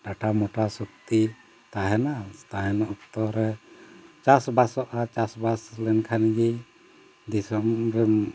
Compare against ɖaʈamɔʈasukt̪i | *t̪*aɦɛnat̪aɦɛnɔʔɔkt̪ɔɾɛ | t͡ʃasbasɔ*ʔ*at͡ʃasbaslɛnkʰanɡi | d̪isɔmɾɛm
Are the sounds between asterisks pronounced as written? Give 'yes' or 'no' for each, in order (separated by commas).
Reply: yes, yes